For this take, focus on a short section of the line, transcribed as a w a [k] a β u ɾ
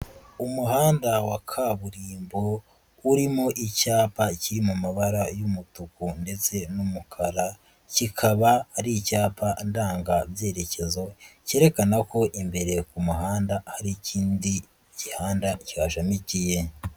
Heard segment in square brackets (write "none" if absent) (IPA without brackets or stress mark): kʰ